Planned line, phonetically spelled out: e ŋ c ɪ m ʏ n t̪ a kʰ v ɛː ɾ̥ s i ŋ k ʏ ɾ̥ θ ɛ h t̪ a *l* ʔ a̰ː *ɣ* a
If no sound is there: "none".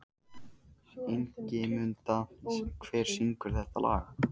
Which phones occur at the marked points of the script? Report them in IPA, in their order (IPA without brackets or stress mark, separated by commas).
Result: l, ɣ